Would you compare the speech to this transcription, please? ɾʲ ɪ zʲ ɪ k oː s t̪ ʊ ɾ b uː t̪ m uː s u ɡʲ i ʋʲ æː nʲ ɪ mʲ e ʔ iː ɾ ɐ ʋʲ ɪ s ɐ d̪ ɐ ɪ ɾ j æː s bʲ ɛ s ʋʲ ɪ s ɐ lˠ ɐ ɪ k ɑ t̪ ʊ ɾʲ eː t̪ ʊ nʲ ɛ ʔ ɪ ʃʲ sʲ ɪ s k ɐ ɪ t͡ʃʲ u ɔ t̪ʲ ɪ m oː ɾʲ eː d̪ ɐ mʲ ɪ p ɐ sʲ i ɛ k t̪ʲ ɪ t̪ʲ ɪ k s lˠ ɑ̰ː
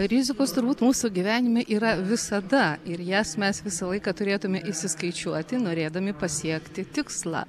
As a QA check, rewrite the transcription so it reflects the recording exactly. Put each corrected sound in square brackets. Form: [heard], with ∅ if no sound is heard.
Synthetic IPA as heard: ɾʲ ɪ zʲ ɪ k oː s t̪ ʊ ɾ b uː t̪ m uː s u ɡʲ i ʋʲ æː nʲ ɪ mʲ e ʔ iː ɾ ɐ ʋʲ ɪ s ɐ d̪ ɐ ɪ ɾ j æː s [mʲ] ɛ s ʋʲ ɪ s ɐ lˠ ɐ ɪ k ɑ t̪ ʊ ɾʲ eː t̪ ʊ [mʲ] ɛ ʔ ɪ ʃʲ sʲ ɪ s k ɐ ɪ t͡ʃʲ u ɔ t̪ʲ ɪ [n] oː ɾʲ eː d̪ ɐ mʲ ɪ p ɐ sʲ i ɛ k t̪ʲ ɪ t̪ʲ ɪ k s lˠ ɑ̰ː